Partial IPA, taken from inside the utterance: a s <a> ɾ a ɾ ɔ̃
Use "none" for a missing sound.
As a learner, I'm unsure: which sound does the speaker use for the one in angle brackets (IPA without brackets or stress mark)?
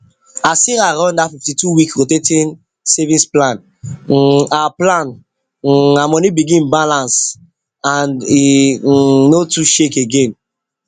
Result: i